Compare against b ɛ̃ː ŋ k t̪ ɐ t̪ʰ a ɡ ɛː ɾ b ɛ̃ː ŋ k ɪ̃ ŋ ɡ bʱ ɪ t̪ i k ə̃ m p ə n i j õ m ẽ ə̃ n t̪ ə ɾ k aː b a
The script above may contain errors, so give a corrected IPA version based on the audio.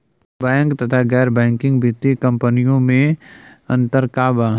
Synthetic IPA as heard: b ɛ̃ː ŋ k t̪ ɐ t̪ʰ a ɡ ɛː ɾ b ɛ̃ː ŋ k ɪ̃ ŋ ɡ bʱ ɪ t̪ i k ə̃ m p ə n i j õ m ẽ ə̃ n t̪ ə ɾ k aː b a

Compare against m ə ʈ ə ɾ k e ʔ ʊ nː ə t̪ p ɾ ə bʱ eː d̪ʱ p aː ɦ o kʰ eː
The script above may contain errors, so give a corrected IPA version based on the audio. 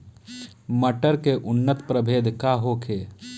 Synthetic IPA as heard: m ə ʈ ə ɾ k e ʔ ʊ nː ə t̪ p ɾ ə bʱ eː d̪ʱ k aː ɦ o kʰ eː

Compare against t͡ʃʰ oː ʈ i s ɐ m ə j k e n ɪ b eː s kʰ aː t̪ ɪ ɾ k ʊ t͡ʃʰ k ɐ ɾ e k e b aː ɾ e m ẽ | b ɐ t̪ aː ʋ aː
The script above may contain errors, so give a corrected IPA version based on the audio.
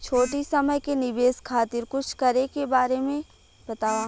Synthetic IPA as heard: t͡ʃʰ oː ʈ i s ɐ m ə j k e n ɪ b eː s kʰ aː t̪ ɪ ɾ k ʊ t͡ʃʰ k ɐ ɾ e k e b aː ɾ e m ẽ | b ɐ t̪ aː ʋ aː

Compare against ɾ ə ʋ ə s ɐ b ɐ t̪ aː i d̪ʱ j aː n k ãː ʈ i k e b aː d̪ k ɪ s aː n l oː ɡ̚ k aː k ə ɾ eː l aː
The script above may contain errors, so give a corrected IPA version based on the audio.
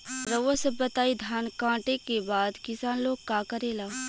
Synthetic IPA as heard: ɾ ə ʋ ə s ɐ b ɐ t̪ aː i d̪ʱ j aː n k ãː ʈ e k e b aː d̪ k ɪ s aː n l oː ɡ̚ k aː k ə ɾ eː l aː

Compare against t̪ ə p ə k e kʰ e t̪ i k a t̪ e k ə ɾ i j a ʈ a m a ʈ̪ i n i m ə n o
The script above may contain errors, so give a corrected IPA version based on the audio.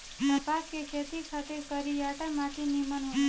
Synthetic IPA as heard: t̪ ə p a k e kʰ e t̪ i kʰ a t̪ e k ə ɾ i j a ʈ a m a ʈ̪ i n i m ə n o

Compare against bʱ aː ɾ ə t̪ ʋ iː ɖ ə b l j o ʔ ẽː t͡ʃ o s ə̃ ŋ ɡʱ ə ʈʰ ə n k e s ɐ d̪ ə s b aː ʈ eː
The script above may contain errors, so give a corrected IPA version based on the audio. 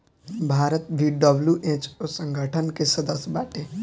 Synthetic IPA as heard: bʱ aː ɾ ə t̪ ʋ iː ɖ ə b l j u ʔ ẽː t͡ʃ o s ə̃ ŋ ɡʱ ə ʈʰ ə n k e s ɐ d̪ ə s b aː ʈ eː

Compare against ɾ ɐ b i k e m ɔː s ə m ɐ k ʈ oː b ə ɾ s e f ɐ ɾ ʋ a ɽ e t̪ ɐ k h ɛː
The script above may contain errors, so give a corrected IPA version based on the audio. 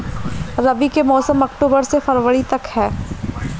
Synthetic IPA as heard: ɾ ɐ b i k e m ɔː s ə m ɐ k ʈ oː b ə ɾ s e f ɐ ɾ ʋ ə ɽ i t̪ ɐ k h ɛː

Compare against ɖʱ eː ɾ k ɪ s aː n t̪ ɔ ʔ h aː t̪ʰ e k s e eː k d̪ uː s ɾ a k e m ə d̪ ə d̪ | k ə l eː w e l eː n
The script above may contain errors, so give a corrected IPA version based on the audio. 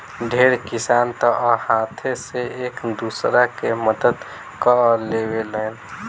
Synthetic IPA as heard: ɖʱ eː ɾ k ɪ s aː n t̪ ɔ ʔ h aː t̪ʰ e s e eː k d̪ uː s ɾ a k e m ə d̪ ə d̪ | k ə l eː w e l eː n

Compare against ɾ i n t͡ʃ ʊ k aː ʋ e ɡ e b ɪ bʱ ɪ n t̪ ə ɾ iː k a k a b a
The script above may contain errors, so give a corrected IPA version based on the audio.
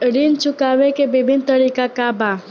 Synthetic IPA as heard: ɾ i n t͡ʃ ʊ k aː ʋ e k e b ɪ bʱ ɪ n t̪ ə ɾ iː k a k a b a

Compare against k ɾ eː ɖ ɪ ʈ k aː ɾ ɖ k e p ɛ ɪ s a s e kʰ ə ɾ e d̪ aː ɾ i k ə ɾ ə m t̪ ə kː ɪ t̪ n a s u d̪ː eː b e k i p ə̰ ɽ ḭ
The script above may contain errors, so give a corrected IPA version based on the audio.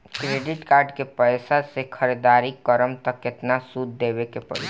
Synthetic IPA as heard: k ɾ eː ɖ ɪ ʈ k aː ɾ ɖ k e p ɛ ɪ s a s e kʰ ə ɾ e d̪ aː ɾ i k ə ɾ ə m t̪ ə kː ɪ t̪ n a s u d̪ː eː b e k e p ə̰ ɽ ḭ

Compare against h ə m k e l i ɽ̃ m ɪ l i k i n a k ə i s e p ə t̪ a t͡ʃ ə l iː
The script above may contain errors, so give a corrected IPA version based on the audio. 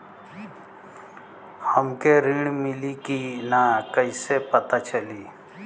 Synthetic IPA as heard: h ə m k e ɾ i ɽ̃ m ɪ l i k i n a k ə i s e p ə t̪ a t͡ʃ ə l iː

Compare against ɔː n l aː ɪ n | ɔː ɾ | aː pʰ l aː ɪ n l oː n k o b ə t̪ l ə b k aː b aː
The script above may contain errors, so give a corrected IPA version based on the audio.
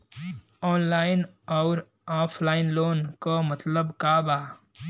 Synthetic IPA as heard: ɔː n l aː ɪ n | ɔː ɾ | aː pʰ l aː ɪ n l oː n k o m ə t̪ l ə b k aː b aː

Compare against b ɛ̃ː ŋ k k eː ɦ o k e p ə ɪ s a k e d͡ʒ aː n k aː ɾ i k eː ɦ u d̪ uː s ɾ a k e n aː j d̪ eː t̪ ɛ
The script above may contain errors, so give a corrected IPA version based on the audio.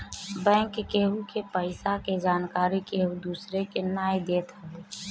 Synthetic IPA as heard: b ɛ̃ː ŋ k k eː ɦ u k e p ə ɪ s a k e d͡ʒ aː n k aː ɾ i k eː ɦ u d̪ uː s ɾ e k e n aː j d̪ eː t̪ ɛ

